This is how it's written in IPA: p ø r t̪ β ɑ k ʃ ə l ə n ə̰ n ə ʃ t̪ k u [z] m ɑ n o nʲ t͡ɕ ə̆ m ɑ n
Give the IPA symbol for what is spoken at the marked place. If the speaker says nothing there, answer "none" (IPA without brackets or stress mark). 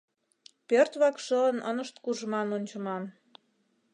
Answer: ʒ